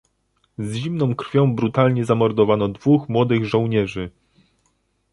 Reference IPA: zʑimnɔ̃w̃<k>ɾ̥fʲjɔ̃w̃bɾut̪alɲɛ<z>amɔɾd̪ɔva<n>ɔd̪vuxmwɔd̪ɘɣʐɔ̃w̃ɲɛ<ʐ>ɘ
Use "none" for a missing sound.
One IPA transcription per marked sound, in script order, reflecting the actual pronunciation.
k, z, n, ʐ

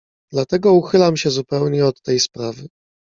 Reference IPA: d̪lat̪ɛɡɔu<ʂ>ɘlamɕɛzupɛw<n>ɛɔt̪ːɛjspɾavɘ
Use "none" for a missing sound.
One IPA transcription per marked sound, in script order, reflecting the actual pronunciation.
x, ɲ

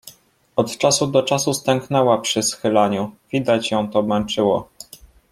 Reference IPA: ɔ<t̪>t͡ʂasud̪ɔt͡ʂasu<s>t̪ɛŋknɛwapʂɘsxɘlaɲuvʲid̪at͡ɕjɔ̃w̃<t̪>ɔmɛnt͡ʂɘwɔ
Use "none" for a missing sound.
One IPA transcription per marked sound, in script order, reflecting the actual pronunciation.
t̪, s, t̪

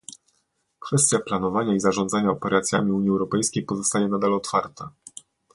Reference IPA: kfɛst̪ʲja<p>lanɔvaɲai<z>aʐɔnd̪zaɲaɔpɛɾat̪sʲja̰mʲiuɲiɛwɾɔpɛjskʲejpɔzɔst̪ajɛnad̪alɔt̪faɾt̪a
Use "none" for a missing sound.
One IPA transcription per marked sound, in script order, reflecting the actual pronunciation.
p, z

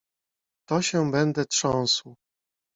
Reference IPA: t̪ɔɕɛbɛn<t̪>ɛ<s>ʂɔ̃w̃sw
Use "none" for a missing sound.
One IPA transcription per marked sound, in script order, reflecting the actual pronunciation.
d̪, t

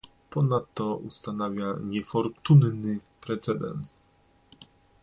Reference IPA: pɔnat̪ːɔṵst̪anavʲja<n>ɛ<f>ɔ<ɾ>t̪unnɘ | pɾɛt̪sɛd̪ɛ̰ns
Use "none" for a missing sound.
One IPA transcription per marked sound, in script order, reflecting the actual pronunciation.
ɲ, f, ɾ

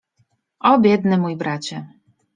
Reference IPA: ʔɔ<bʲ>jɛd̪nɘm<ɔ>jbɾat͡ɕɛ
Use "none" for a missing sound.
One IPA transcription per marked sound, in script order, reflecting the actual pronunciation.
bʲ, u

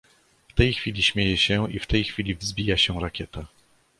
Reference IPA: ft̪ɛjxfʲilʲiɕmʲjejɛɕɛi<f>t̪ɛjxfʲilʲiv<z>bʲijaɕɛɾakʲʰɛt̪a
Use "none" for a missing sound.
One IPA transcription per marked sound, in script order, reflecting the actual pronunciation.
f, z

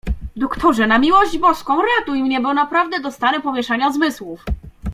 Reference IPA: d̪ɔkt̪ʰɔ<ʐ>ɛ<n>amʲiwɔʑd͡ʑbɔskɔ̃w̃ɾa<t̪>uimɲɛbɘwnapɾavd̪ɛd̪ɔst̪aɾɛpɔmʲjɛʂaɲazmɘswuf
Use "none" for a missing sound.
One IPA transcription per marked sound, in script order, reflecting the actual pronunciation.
ʐ, n, t̪

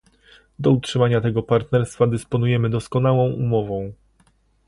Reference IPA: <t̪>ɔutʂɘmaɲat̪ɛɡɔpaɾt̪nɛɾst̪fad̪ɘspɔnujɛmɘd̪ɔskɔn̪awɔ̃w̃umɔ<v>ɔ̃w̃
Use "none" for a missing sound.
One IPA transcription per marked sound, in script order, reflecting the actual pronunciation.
d̪, v

